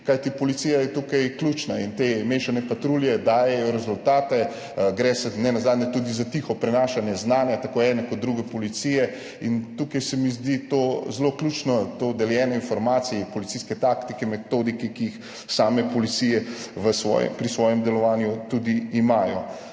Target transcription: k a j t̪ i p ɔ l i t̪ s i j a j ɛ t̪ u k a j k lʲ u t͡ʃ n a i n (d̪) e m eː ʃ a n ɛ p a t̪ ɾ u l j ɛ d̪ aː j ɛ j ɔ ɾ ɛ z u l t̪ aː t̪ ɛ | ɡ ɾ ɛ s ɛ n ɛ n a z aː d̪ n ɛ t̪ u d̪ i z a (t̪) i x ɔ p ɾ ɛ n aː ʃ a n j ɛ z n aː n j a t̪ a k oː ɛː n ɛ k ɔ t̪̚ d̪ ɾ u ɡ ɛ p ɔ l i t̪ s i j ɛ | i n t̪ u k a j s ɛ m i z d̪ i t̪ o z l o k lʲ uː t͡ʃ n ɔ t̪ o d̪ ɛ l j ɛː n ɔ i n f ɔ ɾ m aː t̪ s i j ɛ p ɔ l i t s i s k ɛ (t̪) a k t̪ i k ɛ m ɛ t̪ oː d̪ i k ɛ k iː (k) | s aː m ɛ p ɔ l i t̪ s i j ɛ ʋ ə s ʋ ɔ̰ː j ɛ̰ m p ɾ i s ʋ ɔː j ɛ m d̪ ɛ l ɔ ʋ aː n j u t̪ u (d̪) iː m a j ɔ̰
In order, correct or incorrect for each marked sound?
incorrect: t̪, correct, correct, incorrect: x, correct

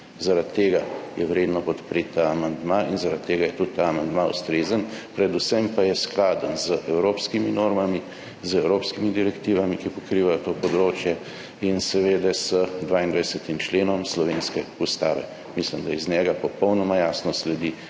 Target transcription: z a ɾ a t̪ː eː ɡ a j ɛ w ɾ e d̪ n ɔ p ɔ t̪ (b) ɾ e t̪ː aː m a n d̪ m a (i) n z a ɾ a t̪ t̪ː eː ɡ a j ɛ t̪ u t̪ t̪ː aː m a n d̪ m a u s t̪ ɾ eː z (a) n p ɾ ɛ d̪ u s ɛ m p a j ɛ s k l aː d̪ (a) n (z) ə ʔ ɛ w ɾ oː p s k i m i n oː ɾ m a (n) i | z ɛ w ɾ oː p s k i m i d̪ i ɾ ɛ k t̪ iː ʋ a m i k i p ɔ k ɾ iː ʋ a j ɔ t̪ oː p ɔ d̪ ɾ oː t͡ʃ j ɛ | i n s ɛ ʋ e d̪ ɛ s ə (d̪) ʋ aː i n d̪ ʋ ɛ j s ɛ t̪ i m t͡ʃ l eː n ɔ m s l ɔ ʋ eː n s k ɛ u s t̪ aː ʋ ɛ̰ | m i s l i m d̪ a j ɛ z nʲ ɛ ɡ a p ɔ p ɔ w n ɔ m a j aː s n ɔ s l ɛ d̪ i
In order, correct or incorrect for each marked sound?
incorrect: p, correct, incorrect: ə, incorrect: ə, correct, incorrect: m, correct

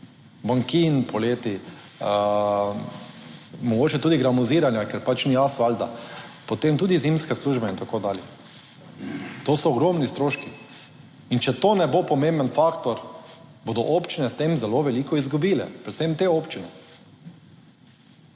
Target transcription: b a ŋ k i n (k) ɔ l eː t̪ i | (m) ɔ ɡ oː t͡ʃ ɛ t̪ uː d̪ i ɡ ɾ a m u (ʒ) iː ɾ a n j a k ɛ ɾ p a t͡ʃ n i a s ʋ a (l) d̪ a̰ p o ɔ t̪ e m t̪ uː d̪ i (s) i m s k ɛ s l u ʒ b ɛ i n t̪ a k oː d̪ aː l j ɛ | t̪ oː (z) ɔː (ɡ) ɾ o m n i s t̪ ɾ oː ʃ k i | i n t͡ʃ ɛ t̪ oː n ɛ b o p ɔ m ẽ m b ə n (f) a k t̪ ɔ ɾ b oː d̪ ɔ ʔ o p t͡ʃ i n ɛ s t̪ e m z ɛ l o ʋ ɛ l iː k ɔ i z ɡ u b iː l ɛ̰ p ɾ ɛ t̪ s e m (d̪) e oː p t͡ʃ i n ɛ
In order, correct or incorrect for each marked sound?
incorrect: p, correct, incorrect: z, correct, incorrect: z, incorrect: s, correct, correct, incorrect: t̪

